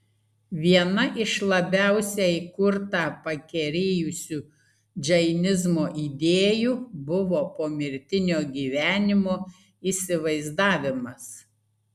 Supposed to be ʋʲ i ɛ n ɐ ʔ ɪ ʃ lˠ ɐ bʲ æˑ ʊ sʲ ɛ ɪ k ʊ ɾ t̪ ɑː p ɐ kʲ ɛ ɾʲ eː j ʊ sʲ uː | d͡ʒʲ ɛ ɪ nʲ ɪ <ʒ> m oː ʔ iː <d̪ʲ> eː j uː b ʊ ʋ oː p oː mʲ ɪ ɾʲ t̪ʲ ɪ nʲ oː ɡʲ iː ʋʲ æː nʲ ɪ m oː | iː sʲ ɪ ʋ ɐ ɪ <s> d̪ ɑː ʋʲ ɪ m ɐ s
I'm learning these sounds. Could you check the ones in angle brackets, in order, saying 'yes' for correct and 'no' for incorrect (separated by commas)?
no, yes, no